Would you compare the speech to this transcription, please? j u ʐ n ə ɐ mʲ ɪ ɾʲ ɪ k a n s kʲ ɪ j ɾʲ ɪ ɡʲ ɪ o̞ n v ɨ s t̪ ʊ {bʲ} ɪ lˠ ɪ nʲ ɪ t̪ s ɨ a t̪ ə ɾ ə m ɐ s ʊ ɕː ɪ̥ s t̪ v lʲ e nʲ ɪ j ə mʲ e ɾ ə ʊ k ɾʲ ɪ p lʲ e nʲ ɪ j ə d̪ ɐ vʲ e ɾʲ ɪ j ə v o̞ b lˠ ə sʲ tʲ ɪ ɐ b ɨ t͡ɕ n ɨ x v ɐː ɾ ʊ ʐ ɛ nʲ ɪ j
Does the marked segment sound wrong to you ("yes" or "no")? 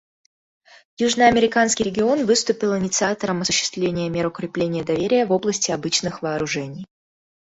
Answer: yes